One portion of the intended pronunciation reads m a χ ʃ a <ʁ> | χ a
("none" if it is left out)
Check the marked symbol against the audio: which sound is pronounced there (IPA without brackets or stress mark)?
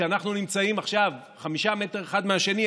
v